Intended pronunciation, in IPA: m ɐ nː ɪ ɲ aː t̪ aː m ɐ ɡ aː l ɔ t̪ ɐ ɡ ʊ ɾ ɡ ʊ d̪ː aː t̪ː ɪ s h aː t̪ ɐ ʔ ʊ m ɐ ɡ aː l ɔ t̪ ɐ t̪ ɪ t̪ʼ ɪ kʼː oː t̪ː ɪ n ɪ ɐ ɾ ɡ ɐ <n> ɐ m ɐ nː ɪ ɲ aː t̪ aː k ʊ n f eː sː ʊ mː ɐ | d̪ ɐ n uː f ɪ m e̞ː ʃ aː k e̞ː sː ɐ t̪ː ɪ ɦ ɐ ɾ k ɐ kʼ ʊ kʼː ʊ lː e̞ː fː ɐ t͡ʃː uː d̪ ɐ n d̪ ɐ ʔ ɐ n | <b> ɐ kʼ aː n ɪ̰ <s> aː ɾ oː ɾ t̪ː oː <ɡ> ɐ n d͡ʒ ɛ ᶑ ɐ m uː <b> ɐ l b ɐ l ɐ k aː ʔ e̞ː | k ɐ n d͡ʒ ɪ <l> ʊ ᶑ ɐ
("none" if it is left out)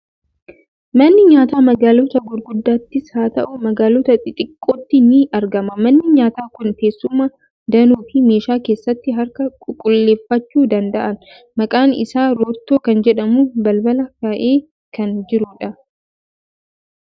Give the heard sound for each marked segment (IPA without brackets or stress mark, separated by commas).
m, m, s, k, b, ɾ